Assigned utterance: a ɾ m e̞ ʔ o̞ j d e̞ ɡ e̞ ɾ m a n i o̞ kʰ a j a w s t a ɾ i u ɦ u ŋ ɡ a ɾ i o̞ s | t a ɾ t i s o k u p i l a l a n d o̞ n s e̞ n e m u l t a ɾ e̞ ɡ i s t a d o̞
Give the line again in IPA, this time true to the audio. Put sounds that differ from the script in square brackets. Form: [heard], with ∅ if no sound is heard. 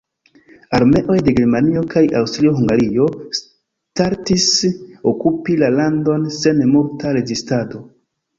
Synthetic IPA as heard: a ɾ m e̞ ʔ o̞ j d e̞ ɡ e̞ ɾ m a n i o̞ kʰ a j a w s t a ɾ i [o] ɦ u ŋ ɡ a ɾ i o̞ s | t a ɾ t i s o k u p i l a l a n d o̞ n s e̞ n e m u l t a ɾ e̞ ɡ i s t a d o̞